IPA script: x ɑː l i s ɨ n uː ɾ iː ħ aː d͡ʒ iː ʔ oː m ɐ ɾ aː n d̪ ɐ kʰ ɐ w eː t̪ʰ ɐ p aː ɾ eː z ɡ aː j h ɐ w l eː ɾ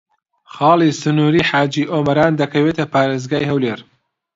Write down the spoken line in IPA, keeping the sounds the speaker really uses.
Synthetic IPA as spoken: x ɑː l i s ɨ n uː ɾ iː ħ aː d͡ʒ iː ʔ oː m ɐ ɾ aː n d̪ ɐ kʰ ɐ w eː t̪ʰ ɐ p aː ɾ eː z ɡ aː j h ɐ w l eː ɾ